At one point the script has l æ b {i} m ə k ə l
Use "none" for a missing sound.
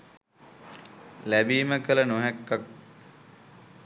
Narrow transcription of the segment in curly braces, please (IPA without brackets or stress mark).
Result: iː